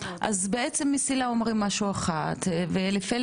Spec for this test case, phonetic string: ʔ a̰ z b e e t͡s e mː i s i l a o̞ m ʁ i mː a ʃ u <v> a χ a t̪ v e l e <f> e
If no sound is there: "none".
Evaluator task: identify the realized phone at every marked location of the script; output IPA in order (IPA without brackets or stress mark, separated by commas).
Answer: none, f